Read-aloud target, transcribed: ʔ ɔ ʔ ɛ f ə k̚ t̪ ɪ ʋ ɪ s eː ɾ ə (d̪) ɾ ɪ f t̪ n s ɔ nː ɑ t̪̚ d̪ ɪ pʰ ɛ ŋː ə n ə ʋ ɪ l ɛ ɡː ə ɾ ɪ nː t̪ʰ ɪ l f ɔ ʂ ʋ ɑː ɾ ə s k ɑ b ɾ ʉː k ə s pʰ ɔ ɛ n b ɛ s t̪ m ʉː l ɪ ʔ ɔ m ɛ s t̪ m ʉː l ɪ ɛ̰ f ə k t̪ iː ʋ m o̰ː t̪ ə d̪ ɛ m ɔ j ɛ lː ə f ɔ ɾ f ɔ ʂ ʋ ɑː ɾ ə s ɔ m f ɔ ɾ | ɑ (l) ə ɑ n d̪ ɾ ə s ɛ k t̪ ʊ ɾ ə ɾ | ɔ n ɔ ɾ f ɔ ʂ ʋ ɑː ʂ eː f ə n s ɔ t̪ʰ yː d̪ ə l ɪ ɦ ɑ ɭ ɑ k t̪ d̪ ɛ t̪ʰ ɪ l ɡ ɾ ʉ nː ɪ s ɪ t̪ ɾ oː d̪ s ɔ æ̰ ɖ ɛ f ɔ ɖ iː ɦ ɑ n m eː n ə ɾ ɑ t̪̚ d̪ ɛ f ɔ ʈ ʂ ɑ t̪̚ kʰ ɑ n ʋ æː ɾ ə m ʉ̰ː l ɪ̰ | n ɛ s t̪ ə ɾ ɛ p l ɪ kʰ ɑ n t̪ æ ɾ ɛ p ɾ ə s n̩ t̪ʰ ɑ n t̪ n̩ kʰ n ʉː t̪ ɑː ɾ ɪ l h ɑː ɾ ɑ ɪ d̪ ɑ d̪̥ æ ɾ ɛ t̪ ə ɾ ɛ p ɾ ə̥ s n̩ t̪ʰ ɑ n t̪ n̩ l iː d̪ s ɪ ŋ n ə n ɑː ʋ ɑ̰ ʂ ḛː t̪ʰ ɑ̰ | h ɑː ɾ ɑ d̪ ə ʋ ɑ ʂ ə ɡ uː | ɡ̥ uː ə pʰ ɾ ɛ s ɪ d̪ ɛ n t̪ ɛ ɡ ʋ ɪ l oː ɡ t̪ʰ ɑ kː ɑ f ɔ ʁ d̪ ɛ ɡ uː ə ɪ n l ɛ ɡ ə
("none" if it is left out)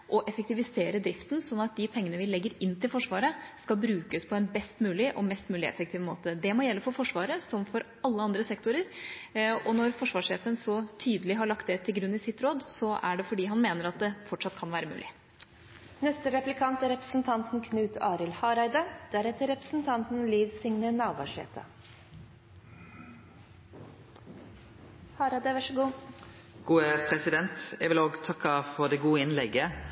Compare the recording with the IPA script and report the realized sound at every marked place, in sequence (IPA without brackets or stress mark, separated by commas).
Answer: d̪, lː